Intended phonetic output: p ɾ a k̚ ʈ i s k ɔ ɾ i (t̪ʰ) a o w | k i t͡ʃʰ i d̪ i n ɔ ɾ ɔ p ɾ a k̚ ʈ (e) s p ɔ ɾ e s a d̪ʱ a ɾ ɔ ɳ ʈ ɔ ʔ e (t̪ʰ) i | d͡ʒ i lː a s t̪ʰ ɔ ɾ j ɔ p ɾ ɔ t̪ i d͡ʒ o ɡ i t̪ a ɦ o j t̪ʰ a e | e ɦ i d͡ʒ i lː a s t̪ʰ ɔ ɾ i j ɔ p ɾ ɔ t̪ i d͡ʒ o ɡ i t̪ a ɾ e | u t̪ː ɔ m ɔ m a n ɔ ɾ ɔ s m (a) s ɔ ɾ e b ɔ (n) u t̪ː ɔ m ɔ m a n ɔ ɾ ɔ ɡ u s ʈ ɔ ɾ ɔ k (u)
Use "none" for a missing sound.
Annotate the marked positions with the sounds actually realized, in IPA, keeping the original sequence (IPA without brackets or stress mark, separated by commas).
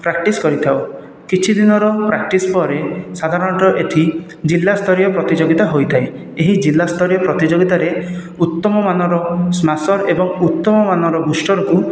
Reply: t̪ʰ, i, t̪ʰ, a, ŋ, u